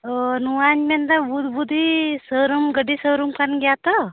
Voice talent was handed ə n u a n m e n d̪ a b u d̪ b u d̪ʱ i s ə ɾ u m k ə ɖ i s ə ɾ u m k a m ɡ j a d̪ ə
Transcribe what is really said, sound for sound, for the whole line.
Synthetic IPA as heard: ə n u a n m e n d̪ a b u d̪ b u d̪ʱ i s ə ɾ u m ɡ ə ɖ i s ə ɾ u m k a n ɡ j a t̪ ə